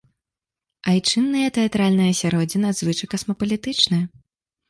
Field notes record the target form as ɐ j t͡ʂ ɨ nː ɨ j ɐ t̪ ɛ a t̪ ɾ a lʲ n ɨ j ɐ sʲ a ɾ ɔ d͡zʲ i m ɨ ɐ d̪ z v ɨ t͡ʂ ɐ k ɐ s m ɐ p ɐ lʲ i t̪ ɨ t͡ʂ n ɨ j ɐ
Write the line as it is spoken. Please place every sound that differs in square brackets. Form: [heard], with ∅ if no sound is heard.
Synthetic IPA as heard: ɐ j t͡ʂ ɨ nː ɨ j ɐ t̪ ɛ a t̪ ɾ a lʲ n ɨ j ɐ sʲ a ɾ ɔ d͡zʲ i [n] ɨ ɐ d̪ z v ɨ t͡ʂ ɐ k ɐ s m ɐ p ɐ lʲ i t̪ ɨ t͡ʂ n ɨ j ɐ